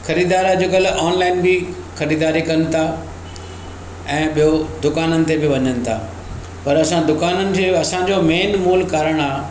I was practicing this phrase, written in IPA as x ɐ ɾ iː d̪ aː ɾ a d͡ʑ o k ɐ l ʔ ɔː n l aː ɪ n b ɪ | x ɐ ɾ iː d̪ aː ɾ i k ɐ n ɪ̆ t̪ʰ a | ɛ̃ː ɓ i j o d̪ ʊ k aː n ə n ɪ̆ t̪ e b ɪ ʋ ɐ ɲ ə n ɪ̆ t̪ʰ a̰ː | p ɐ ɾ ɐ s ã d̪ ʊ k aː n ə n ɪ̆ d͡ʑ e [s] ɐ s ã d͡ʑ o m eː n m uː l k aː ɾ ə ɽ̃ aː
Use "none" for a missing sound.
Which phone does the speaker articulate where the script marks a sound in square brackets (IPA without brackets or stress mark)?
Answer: none